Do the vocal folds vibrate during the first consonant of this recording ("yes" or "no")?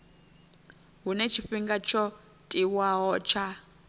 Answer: yes